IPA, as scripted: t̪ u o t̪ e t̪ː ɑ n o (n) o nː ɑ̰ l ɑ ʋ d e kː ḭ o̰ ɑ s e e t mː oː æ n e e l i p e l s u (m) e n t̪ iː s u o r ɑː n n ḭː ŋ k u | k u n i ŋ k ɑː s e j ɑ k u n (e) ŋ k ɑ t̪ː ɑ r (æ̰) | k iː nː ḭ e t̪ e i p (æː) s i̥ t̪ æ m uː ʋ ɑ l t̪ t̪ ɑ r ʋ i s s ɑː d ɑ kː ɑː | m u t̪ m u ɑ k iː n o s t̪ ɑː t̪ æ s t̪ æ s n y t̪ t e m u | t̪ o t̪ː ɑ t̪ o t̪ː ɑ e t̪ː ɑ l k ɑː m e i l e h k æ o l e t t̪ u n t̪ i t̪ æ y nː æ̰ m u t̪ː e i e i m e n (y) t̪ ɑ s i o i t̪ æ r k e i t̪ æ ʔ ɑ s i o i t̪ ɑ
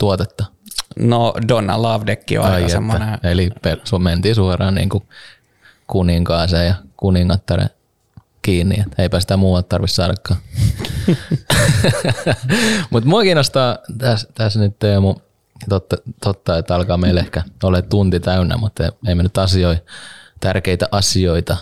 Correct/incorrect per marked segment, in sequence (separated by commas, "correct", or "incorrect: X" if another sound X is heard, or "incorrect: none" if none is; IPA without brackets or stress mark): incorrect: d, correct, incorrect: i, incorrect: ḛ, incorrect: æ, correct